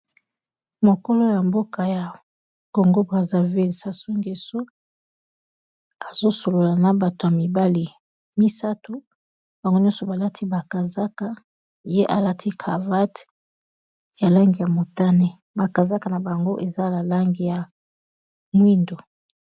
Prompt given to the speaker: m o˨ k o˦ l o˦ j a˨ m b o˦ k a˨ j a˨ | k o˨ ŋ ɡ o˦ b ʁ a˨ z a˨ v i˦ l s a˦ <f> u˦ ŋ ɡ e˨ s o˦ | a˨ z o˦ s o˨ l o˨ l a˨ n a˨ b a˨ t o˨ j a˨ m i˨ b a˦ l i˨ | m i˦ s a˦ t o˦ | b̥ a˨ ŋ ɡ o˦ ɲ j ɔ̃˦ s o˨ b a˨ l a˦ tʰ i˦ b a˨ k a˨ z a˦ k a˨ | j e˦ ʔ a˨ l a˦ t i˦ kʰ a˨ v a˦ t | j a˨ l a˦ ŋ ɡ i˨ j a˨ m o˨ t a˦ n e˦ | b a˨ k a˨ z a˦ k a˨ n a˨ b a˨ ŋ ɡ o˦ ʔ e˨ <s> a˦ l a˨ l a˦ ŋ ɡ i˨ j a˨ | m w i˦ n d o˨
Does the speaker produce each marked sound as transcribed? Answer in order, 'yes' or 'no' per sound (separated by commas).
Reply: no, no